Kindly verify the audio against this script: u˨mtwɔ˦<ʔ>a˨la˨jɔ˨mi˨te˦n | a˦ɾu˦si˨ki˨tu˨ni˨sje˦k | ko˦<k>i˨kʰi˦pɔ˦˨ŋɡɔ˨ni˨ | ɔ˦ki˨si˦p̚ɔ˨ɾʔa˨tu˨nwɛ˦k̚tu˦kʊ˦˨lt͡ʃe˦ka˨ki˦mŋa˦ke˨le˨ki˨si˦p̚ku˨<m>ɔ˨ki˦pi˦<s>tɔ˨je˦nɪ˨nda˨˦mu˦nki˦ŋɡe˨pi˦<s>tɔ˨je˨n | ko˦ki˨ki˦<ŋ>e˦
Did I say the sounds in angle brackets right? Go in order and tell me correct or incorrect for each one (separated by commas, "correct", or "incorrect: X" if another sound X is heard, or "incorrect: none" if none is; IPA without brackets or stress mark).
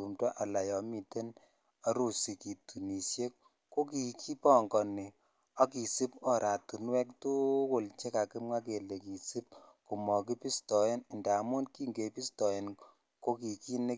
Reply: correct, correct, correct, correct, correct, incorrect: n